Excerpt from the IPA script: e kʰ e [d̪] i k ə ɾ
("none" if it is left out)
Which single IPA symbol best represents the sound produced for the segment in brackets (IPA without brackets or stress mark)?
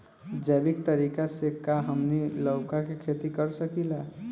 t̪